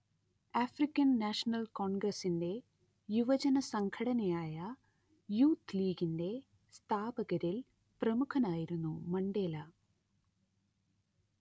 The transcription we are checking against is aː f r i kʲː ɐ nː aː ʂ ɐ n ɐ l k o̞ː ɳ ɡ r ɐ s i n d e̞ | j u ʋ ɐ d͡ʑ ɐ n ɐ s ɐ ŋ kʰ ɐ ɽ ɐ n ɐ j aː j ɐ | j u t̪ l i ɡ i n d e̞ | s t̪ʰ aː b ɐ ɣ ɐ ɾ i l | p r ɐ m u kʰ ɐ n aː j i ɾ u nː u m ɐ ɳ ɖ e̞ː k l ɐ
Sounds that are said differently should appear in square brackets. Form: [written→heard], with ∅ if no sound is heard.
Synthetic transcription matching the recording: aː f r i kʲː ɐ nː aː ʂ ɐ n ɐ l k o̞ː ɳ ɡ r ɐ s i n d e̞ | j u ʋ ɐ d͡ʑ ɐ n ɐ s ɐ ŋ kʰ ɐ ɽ ɐ n ɐ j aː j ɐ | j [u→uː] t̪ l [i→iː] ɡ i n d e̞ | s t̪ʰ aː b ɐ ɣ ɐ ɾ i l | p r ɐ m u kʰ ɐ n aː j i ɾ u nː u m ɐ ɳ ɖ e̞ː [k→∅] l ɐ